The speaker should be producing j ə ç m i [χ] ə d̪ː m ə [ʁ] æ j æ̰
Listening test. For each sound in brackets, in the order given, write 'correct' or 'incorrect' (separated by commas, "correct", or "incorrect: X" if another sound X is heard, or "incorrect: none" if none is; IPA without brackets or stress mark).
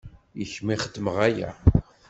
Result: correct, correct